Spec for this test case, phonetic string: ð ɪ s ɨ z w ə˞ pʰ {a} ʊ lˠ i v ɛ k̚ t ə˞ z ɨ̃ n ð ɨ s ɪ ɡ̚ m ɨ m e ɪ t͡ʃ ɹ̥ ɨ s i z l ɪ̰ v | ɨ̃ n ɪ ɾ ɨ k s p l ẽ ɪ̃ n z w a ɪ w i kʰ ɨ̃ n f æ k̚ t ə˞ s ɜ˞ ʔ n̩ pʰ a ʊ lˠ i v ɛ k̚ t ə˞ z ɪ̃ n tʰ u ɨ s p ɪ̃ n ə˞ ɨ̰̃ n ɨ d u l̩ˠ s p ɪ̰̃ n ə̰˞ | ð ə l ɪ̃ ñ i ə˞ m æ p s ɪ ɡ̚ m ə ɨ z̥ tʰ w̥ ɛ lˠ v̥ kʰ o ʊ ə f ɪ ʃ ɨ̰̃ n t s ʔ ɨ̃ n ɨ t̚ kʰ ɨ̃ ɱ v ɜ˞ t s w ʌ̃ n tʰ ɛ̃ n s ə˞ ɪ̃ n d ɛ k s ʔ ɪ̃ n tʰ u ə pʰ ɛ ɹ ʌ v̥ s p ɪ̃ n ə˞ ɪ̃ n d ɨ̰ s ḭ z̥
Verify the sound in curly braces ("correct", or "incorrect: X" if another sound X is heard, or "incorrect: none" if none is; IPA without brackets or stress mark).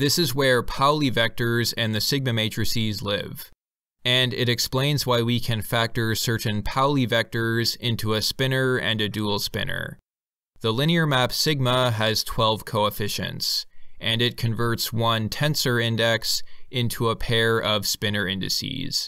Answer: correct